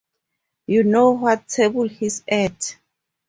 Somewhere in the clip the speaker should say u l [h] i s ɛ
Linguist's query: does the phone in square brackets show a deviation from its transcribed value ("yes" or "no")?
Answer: no